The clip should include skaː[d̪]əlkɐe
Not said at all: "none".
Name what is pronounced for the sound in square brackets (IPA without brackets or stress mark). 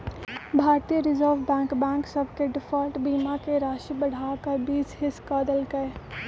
d̪